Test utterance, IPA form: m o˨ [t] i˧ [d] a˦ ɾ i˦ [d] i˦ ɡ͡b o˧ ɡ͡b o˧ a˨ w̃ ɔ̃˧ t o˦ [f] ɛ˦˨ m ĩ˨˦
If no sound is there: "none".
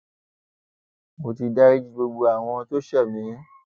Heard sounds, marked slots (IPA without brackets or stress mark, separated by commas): t, d, d͡ʒ, ʃ